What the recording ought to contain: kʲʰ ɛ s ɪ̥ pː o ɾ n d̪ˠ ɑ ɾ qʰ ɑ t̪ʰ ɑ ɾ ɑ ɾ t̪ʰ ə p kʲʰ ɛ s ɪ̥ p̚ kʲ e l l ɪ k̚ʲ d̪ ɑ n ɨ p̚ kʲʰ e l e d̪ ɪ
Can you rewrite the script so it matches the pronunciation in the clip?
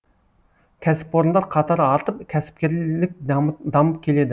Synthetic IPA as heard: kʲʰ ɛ s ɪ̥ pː o ɾ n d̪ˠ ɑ ɾ qʰ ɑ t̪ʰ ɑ ɾ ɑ ɾ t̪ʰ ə p kʲʰ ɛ s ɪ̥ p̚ kʲ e ɾ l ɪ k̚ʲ d̪ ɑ m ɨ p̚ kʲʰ e l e d̪ ɪ

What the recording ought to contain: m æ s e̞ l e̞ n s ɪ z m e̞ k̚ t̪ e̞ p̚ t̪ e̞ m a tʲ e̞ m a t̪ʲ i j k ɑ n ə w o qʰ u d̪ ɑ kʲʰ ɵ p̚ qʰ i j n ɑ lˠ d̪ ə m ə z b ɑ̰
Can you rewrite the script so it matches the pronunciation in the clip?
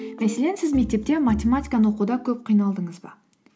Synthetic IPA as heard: m æ s e̞ l e̞ n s ɪ z m e̞ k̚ t̪ e̞ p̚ t̪ e̞ m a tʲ e̞ m a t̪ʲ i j k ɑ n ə w o q u d̪ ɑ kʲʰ ɵ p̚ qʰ i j n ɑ lˠ d̪ ə ɴ ə z b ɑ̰

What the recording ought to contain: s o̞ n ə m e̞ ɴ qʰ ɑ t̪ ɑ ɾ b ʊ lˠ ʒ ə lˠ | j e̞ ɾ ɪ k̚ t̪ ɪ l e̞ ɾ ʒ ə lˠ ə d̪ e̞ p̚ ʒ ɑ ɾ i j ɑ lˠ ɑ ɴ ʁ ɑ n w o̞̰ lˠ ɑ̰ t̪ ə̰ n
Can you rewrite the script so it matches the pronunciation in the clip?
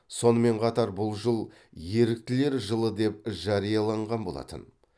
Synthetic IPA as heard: s o̞ n ə m e̞ ɴ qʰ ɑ t̪ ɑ ɾ b ʊ lˠ ʒ ə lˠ | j e̞ ɾ ɪ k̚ t̪ ɪ l e̞ ɾ ʒ ə lˠ ə d̪ e̞ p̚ ʒ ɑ ɾ i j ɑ lˠ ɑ ɴ ʁ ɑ n b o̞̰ lˠ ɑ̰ t̪ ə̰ n

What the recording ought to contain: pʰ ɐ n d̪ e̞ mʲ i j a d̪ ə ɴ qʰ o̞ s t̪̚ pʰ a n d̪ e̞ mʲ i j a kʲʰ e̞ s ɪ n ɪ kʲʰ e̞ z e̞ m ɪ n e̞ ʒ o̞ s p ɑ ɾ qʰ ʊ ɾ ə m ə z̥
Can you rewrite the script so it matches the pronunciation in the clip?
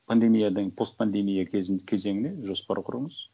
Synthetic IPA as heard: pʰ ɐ n d̪ e̞ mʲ i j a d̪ ə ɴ pʰ o̞ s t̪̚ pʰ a n d̪ e̞ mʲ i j a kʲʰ e̞ z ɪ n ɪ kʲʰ e̞ z e̞ ŋ ɪ n e̞ ʒ o̞ s p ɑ ɾ qʰ ʊ ɾ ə ɴ ə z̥

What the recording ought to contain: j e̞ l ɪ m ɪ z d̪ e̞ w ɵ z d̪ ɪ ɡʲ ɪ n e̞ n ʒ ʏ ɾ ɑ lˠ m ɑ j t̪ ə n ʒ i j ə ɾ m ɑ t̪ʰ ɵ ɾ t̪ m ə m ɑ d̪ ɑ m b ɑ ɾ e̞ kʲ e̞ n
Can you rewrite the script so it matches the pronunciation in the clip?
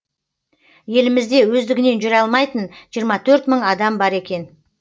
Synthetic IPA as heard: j e̞ l ɪ m ɪ z d̪ e̞ w ɵ z d̪ ɪ ɡʲ ɪ n e̞ n ʒ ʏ ɾ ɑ lˠ m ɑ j t̪ ə n ʒ i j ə ɾ m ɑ t̪ʰ ɵ ɾ t̪ m ə ɴ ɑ d̪ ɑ m b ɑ ɾ e̞ kʲ e̞ n

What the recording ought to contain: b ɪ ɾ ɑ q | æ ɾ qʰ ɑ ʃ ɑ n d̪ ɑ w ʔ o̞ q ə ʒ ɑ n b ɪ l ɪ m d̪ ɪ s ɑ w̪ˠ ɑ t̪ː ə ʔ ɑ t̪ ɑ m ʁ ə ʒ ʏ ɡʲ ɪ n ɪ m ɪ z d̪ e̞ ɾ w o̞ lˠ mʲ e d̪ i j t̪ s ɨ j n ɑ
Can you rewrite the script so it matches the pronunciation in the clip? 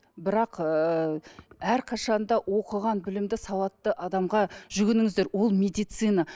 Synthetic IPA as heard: b ɪ ɾ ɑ q | æ ɾ qʰ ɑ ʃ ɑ n d̪ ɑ w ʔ o̞ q ə ʁ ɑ n b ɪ l ɪ m d̪ ɪ s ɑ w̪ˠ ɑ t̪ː ə ʔ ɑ d̪ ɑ m ʁ ɑ ʒ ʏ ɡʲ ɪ n ɪ ŋ ɪ z d̪ e̞ ɾ w o̞ lˠ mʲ e d̪ i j t̪ s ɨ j n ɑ

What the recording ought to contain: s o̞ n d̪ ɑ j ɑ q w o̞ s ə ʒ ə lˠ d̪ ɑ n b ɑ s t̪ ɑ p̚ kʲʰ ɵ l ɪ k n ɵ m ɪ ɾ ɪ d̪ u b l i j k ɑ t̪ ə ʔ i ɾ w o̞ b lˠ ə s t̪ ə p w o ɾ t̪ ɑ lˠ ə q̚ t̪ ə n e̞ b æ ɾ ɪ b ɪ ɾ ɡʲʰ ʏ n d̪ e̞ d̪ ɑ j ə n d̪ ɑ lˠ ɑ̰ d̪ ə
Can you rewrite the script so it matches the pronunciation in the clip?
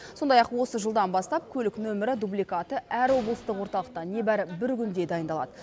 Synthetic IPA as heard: s o̞ n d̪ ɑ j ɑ q w o̞ s ə ʒ ə lˠ d̪ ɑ n b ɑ s t̪ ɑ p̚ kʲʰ ɵ l ɪ k n ɵ m ɪ ɾ ɪ d̪ u b l i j k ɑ t̪ ə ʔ æ ɾ w o̞ b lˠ ə s t̪ ə q w o ɾ t̪ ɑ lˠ ə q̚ t̪ ɑ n e̞ b æ ɾ ɪ b ɪ ɾ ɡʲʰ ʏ n d̪ e̞ d̪ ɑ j ə n d̪ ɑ lˠ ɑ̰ d̪ ə

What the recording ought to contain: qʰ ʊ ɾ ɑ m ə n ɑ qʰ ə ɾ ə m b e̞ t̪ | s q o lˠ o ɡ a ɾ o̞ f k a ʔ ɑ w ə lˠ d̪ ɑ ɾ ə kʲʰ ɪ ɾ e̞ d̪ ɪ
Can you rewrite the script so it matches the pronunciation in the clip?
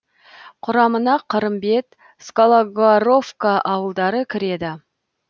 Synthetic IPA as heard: qʰ ʊ ɾ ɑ m ə n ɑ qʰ ə ɾ ə m b e̞ t̪ | s k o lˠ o ɡ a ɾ o̞ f k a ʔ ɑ w ə lˠ d̪ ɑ ɾ ə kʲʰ ɪ ɾ e̞ d̪ ɪ

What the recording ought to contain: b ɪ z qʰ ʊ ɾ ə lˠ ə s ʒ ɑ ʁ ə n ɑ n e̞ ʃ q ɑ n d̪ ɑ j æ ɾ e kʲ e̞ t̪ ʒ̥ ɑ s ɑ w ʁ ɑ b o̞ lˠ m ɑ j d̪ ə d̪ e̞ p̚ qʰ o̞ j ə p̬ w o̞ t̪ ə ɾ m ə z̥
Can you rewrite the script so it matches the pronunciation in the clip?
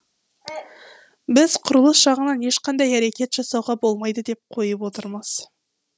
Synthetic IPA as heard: b ɪ z qʰ ʊ ɾ ə lˠ ə s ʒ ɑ ʁ ə n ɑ n e̞ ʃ q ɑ n d̪ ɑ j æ ɾ e kʲ e̞ t̪ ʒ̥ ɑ s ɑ w ʁ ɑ b o̞ lˠ m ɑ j d̪ ə d̪ e̞ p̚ qʰ o̞ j ə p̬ w o̞ t̪ ə ɾ m ə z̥

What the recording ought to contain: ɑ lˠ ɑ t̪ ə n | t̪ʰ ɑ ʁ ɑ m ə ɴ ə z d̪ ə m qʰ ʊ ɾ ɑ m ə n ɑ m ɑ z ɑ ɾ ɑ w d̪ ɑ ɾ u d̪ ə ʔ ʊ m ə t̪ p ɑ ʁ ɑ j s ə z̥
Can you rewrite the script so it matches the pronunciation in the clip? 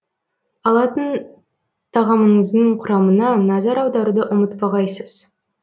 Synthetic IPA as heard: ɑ lˠ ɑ t̪ ə n | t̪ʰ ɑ ʁ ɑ m ə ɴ ə z d̪ ə ɴ qʰ ʊ ɾ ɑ m ə n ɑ n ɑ z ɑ ɾ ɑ w d̪ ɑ ɾ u d̪ ə ʔ ʊ m ə t̪ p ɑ ʁ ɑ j s ə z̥

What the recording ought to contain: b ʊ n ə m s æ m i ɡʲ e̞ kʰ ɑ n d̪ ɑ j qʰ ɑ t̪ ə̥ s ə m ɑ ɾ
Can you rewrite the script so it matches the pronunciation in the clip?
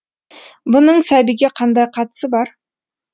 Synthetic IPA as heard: b ʊ n ə ɴ s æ b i ɡʲ e̞ qʰ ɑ n d̪ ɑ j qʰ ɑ t̪ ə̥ s ə b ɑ ɾ

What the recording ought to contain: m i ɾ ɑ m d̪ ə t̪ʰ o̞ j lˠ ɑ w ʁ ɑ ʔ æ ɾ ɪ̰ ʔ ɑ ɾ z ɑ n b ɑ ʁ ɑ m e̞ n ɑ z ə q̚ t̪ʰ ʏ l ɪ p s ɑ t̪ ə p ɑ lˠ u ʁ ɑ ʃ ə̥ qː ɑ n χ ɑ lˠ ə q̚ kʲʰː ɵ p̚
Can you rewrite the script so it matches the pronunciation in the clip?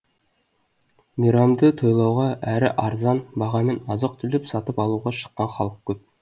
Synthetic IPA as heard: m i ɾ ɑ m d̪ ə t̪ʰ o̞ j lˠ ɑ w ʁ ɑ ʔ æ ɾ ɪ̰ ʔ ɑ ɾ z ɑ n b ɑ ʁ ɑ m e̞ n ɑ z ə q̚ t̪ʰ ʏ l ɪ p s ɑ t̪ ə p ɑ lˠ u ʁ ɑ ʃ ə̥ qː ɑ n χ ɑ lˠ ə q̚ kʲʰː ɵ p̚

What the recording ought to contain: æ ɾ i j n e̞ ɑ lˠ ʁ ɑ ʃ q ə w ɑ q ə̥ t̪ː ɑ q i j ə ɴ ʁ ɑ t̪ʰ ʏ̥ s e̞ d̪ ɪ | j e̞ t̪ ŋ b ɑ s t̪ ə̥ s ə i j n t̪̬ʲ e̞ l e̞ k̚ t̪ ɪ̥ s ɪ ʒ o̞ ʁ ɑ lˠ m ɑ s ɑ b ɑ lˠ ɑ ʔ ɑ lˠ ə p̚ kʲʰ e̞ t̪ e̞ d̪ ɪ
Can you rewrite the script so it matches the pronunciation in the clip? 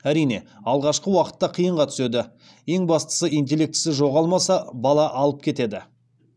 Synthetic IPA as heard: æ ɾ i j n e̞ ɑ lˠ ʁ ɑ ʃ q ə w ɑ q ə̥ t̪ː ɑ qʰ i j ə ɴ ʁ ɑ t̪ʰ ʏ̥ s e̞ d̪ ɪ | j e̞ ŋ b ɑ s t̪ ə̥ s ə i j n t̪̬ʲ e̞ l e̞ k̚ t̪ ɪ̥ s ɪ ʒ o̞ ʁ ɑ lˠ m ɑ s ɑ b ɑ lˠ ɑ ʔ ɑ lˠ ə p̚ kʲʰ e̞ t̪ e̞ d̪ ɪ

